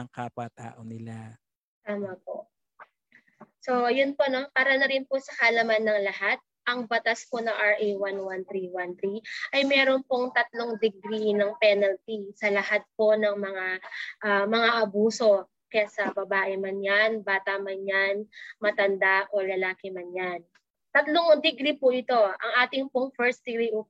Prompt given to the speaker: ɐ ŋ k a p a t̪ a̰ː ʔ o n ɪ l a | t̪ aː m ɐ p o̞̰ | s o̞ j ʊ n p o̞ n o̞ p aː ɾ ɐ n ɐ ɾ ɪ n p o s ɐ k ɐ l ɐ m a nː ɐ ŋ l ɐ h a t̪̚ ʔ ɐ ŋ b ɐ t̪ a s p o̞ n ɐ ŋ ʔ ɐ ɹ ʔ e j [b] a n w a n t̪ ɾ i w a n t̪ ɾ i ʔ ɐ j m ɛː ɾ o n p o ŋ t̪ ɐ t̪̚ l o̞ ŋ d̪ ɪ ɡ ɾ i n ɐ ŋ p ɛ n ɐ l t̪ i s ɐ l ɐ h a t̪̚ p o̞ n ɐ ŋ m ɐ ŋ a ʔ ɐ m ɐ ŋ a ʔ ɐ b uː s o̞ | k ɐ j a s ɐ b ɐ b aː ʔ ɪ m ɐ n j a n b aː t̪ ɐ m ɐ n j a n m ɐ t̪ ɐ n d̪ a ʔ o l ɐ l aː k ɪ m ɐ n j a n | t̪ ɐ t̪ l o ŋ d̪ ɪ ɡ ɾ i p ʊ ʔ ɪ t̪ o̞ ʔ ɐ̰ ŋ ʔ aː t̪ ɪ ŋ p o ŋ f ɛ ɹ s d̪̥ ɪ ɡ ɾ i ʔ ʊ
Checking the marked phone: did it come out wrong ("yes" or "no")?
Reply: yes